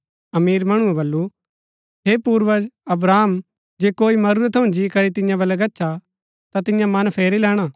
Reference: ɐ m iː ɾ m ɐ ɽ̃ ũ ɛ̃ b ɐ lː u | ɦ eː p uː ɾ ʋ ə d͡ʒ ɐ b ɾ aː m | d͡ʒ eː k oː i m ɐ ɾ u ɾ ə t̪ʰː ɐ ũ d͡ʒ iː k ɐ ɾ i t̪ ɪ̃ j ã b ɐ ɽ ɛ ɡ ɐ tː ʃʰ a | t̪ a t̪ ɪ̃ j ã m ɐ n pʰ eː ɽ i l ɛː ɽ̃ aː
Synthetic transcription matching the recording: ɐ m iː ɾ m ɐ ɽ̃ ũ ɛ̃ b ɐ lː u | ɦ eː p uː ɾ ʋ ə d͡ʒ ɐ b ɾ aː m | d͡ʒ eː k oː i m ɐ ɾ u ɾ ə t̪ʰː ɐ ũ d͡ʒ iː k ɐ ɾ i t̪ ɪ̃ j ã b ɐ l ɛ ɡ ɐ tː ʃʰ a | t̪ a t̪ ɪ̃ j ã m ɐ n pʰ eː ɾ i l ɛː ɽ̃ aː